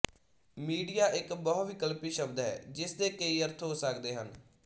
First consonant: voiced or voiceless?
voiced